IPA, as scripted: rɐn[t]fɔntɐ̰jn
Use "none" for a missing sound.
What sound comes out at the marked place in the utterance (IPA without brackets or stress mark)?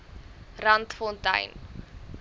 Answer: t